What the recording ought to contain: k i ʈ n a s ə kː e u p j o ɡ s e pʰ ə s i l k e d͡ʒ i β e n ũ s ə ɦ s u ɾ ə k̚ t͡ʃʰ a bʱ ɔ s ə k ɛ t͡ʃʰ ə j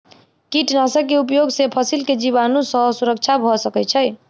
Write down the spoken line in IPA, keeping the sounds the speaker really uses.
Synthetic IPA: k i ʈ n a s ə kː e u p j o ɡ s e pʰ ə s i l k e d͡ʒ i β a n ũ s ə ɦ s u ɾ ə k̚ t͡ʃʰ a bʱ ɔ s ə k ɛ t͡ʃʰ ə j

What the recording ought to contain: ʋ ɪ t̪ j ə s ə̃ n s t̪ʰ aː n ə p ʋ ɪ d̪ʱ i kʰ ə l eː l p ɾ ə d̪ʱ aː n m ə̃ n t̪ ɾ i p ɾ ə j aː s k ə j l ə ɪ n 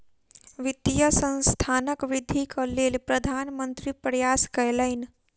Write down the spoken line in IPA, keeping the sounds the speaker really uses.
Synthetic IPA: ʋ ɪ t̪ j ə s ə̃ n s t̪ʰ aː n ə k ʋ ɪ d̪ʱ i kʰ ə l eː l p ɾ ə d̪ʱ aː n m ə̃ n t̪ ɾ i p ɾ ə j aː s k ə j l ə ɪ n

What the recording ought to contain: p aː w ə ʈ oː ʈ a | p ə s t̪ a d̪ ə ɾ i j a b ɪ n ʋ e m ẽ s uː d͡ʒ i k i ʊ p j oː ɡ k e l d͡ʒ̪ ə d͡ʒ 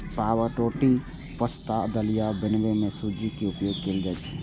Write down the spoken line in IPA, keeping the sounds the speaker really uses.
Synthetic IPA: p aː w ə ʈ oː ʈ i | p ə s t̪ a d̪ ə l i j a b ɪ n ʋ e m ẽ s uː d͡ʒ i k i ʊ p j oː ɡ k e l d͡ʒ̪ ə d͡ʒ

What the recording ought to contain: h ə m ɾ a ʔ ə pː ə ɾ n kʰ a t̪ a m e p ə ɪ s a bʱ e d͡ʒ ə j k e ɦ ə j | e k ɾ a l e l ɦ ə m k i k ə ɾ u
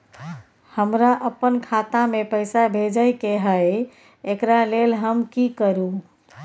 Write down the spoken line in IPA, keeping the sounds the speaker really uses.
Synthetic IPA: h ə m ɾ a ʔ ə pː ə n kʰ a t̪ a m e p ə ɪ s a bʱ e d͡ʒ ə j k e ɦ ə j | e k ɾ a l e l ɦ ə m k i k ə ɾ u

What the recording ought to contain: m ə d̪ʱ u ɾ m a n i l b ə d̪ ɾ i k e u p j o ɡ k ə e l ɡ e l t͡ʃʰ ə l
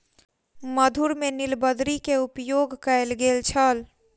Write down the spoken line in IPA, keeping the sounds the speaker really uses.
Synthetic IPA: m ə d̪ʱ u ɾ m e n i l b ə d̪ ɾ i k e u p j o ɡ k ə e l ɡ e l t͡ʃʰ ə l

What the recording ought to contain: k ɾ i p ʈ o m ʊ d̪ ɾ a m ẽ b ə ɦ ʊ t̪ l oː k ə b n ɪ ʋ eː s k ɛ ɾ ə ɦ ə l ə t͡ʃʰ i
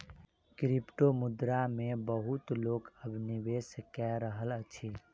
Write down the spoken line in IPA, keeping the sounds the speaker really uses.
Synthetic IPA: k ɾ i p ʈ o m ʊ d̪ ɾ a m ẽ b ə ɦ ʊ t̪ l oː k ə b n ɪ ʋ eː s k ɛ ɾ ə ɦ ə l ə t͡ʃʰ i

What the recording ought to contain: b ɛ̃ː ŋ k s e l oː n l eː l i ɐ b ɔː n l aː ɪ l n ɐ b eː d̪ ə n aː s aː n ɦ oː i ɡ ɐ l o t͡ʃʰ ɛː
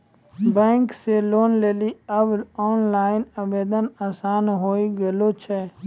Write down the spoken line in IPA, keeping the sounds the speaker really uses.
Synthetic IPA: b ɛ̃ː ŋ k s e l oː n l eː l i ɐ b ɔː n l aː ɪ n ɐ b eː d̪ ə n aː s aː n ɦ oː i ɡ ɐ l o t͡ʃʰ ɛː

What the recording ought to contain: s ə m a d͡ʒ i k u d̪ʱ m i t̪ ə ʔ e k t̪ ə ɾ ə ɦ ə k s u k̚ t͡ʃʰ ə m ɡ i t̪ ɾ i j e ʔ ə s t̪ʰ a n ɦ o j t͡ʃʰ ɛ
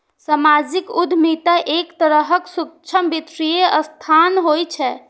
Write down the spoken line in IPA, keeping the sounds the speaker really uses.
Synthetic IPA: s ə m a d͡ʒ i k u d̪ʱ m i t̪ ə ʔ e k t̪ ə ɾ ə ɦ ə k s u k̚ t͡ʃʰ ə m b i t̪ ɾ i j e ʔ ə s t̪ʰ a n ɦ o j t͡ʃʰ ɛ

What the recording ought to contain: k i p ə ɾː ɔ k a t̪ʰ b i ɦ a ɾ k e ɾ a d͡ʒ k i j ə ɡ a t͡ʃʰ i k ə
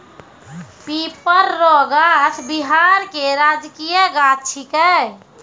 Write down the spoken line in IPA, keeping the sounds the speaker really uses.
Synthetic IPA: p i p ə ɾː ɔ ɡ a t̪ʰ b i ɦ a ɾ k e ɾ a d͡ʒ k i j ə ɡ a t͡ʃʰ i k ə

